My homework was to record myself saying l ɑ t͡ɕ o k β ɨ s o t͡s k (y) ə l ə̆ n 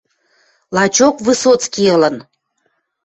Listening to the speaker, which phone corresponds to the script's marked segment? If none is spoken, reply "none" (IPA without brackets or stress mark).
i